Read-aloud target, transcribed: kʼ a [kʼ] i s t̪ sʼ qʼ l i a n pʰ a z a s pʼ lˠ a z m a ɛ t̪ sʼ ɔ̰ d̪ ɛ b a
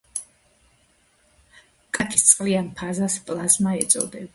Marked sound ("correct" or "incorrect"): correct